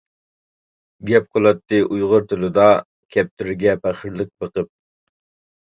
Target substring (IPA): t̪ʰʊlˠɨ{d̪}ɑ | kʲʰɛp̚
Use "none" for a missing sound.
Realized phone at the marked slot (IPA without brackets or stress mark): d̪